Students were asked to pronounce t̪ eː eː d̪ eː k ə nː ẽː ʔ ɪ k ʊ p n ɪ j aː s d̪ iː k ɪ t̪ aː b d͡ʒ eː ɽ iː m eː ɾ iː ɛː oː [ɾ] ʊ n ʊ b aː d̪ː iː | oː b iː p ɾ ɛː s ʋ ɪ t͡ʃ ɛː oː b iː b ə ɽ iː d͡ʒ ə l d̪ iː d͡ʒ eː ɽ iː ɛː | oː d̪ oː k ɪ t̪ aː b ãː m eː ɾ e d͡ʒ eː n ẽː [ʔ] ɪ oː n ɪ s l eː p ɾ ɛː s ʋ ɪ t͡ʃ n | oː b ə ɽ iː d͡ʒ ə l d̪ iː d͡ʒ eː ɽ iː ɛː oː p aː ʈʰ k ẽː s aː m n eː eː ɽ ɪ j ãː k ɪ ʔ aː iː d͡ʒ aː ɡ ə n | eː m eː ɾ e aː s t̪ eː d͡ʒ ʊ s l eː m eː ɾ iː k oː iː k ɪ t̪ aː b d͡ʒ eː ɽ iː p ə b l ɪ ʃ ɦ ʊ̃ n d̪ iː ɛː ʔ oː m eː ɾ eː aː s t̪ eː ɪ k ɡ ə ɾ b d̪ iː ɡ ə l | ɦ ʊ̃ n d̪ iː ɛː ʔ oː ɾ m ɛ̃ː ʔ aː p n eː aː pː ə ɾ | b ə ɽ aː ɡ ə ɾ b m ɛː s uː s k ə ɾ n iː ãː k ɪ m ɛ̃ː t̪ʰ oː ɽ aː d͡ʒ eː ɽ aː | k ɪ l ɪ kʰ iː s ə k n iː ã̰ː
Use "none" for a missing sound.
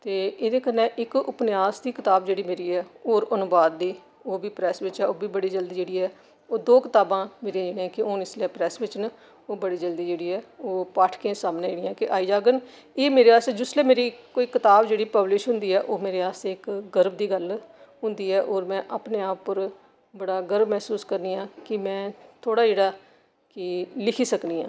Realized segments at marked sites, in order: ɾ, k

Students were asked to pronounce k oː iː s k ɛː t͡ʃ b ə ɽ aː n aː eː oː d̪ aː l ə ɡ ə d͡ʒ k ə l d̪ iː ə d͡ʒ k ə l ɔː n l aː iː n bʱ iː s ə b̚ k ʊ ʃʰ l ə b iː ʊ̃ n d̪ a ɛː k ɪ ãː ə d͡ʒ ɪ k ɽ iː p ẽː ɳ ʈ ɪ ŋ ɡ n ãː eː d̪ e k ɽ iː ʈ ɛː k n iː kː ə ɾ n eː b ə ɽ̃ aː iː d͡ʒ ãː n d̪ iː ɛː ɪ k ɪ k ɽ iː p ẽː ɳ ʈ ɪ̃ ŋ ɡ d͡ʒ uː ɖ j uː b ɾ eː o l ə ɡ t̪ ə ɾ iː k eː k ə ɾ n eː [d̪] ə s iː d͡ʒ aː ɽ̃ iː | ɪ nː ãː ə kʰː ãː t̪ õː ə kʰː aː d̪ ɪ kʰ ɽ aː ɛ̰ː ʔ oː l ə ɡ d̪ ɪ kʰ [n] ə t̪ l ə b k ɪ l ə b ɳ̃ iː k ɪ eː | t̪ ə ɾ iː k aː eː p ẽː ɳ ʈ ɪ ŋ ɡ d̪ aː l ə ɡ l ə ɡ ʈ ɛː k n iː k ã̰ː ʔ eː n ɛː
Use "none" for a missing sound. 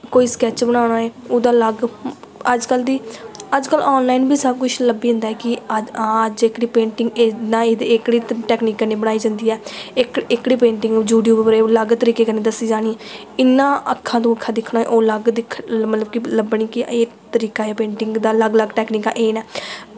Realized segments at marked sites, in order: d̪, m

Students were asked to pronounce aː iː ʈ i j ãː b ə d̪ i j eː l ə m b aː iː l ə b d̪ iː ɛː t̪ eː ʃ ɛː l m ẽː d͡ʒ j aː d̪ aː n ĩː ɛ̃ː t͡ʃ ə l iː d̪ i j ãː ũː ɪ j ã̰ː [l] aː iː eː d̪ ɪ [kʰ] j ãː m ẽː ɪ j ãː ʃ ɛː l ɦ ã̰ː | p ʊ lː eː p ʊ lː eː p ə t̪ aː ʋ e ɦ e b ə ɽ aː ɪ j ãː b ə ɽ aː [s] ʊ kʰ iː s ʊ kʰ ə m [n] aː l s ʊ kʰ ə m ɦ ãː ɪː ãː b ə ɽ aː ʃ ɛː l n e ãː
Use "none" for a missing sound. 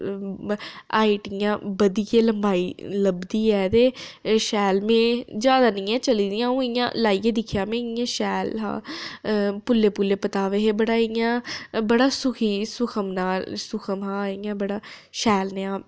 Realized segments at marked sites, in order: l, kʰ, s, n

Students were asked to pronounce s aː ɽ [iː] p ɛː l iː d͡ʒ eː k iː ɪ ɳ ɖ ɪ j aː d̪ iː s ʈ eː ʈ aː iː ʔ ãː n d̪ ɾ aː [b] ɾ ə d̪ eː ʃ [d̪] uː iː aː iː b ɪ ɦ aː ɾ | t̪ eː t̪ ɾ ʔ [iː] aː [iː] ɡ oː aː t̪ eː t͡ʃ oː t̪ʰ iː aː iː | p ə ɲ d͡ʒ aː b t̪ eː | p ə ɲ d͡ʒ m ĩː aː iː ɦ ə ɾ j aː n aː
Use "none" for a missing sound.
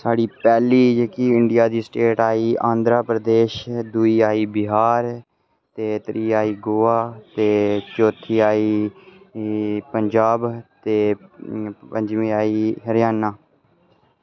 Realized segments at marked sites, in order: iː, p, d̪, iː, iː

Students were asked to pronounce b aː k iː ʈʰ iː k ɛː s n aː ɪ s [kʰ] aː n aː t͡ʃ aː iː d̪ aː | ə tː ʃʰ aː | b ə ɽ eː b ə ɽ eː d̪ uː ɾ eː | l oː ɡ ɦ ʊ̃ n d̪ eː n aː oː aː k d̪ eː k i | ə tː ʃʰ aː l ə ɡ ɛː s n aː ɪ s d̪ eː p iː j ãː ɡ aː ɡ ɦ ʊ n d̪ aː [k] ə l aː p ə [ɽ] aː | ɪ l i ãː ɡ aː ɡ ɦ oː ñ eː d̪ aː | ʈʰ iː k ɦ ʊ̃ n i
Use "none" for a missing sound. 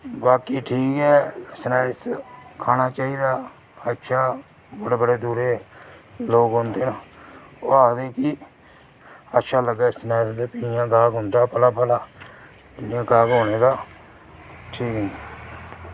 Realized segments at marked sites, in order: kʰ, p, l

